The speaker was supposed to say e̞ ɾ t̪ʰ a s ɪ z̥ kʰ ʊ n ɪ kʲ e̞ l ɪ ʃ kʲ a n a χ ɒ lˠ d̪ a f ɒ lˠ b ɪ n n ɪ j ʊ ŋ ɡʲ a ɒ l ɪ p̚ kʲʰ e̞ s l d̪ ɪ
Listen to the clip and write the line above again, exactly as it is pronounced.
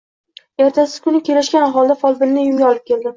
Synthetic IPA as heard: e̞ ɾ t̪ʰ a s ɪ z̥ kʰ ʊ n ɪ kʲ e̞ l ɪ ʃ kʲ a n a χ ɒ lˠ d̪ a f ɒ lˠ b ɪ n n ɪ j ʊ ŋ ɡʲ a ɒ l ɪ p̚ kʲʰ e̞ l d̪ ɪ